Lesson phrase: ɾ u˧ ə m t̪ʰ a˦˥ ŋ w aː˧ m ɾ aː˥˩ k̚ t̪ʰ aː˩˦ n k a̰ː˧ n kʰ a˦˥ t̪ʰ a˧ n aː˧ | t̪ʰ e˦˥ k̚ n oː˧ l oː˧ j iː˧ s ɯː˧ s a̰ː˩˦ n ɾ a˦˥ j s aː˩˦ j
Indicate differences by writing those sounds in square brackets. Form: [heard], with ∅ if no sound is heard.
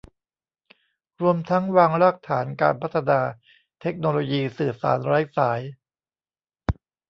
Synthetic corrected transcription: ɾ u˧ ə m t̪ʰ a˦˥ ŋ w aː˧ [ŋ] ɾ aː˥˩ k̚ t̪ʰ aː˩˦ n k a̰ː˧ n [pʰ] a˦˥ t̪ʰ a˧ n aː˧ | t̪ʰ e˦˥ k̚ n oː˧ l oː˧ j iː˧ s [ɯː˨˩] s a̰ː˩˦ n ɾ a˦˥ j s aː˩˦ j